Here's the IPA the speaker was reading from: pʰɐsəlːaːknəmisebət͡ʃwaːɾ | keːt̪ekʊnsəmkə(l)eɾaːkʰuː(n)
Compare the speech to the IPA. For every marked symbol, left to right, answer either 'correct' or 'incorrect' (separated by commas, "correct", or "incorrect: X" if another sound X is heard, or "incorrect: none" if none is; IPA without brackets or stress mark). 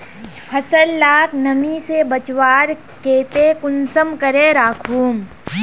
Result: incorrect: ɾ, incorrect: m